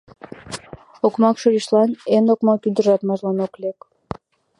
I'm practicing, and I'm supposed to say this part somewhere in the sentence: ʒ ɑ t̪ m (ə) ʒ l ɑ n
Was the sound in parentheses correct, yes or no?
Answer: no